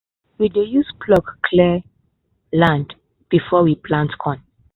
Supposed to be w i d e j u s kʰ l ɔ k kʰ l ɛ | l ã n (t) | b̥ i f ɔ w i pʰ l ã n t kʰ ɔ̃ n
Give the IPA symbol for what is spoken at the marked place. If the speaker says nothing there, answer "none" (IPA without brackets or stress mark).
d